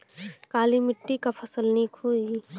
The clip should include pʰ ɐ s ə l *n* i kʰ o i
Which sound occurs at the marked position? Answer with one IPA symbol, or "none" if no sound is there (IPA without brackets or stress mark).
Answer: n